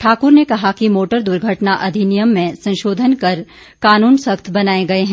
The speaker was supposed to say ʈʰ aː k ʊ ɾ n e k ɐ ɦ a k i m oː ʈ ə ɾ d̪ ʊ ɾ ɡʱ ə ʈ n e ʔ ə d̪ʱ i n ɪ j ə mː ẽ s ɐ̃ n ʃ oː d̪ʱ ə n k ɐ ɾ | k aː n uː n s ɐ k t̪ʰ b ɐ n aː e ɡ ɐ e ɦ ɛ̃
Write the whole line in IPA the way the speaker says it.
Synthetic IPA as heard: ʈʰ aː k ʊ ɾ n e k ɐ ɦ a k i m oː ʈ ə ɾ d̪ ʊ ɾ ɡʱ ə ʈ n a ʔ ɐ d̪ʱ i n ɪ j ə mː ẽ s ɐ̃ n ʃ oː d̪ʱ ə n k ɐ ɾ | k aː n uː n s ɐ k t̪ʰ b ɐ n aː e ɡ ɐ e ɦ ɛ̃